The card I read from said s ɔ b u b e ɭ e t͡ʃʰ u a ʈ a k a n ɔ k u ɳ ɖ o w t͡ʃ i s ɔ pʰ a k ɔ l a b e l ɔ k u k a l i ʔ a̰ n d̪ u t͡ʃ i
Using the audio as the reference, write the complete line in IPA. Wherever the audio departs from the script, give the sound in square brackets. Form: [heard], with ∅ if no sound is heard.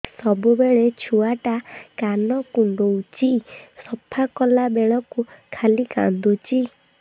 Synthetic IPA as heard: s ɔ b u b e ɭ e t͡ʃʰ u a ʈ a k a n ɔ k u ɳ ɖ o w t͡ʃ i s ɔ pʰ a k ɔ l a b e [ɭ] ɔ k u [kʰ] a l i [k] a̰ n d̪ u t͡ʃ i